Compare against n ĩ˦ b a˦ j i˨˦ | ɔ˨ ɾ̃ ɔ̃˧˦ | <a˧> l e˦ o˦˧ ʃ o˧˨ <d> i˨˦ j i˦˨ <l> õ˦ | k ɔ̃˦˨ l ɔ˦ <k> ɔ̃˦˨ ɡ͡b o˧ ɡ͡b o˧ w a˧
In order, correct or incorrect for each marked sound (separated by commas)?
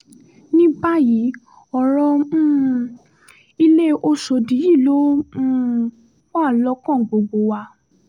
incorrect, correct, correct, correct